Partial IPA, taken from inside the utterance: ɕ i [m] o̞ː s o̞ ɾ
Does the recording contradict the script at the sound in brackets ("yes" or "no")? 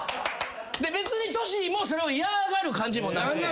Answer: no